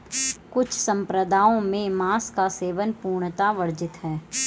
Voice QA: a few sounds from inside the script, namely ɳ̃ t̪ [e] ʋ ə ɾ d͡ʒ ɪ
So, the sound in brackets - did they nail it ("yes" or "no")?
no